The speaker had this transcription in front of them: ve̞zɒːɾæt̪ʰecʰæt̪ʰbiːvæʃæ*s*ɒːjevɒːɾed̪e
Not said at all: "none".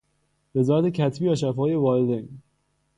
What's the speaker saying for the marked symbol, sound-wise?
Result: f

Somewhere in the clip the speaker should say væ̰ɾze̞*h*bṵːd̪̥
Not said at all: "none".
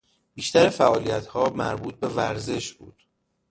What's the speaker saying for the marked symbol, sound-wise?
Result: ʃ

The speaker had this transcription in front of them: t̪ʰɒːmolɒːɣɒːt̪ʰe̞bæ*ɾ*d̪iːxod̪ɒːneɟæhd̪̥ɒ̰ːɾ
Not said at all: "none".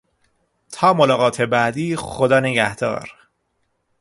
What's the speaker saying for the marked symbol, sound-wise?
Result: none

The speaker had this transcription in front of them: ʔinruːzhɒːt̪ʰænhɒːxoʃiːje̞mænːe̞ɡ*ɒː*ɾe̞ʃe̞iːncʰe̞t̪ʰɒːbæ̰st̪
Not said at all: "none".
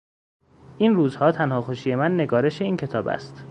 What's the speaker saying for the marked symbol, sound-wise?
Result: ɒː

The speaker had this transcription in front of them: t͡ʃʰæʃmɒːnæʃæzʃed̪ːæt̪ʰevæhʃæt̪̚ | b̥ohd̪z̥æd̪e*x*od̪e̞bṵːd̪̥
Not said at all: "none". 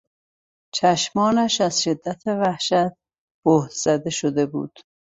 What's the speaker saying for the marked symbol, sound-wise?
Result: ʃ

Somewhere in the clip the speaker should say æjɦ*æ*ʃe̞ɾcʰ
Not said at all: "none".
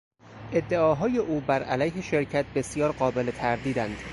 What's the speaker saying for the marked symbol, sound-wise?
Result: e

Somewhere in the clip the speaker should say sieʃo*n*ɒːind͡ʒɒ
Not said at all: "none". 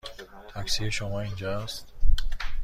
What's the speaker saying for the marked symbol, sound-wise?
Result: m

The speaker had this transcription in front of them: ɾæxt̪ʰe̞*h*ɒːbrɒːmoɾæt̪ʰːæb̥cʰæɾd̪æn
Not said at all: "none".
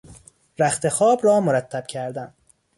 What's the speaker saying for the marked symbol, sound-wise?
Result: x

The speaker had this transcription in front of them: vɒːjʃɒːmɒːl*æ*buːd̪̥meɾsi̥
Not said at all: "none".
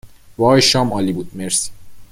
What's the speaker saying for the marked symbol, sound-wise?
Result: i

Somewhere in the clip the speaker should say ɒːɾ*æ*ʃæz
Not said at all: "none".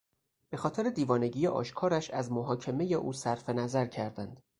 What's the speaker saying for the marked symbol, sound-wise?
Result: æ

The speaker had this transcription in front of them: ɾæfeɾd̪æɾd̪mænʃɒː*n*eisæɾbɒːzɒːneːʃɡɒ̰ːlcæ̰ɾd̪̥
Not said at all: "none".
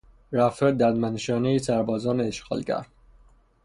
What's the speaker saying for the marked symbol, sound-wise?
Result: n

